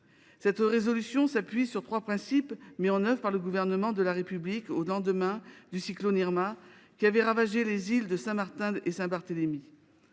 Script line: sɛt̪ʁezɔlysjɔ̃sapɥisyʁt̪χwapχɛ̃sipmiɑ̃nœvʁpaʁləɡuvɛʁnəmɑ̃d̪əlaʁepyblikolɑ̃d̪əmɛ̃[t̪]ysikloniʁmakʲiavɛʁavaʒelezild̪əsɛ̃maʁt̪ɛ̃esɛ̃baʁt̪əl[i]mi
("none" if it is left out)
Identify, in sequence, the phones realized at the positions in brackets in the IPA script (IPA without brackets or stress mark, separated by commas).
d̪, e